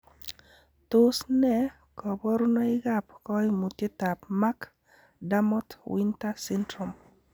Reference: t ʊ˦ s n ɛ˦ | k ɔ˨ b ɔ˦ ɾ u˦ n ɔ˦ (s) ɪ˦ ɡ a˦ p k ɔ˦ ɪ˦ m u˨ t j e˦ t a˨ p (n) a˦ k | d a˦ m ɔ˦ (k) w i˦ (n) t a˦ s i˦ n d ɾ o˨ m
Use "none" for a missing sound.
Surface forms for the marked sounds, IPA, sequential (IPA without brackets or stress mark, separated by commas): none, m, t, n